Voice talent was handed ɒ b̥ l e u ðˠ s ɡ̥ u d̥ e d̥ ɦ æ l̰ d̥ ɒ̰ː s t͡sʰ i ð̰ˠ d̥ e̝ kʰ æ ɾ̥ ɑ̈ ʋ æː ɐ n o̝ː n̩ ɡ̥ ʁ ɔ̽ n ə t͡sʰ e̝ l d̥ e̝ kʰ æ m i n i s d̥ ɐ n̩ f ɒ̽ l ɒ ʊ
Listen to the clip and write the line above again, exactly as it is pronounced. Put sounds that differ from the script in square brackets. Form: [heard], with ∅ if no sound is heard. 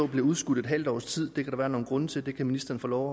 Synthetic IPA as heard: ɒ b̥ l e u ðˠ s ɡ̥ u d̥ e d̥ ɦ æ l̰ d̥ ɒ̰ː s t͡sʰ i ð̰ˠ d̥ e̝ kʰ æ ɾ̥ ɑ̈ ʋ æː ɐ n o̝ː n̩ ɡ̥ ʁ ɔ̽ n ə t͡sʰ e̝ l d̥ e̝ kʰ æ m i n i s d̥ ɐ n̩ f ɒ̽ l ɒ ʊ